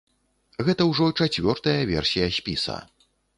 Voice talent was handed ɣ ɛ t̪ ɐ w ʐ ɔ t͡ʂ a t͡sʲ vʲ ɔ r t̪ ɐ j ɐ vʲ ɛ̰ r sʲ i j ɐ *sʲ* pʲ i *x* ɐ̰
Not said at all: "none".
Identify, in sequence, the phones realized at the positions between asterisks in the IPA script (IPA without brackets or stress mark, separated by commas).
sʲ, s